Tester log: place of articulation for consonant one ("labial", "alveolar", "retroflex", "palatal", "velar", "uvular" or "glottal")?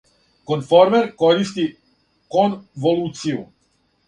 velar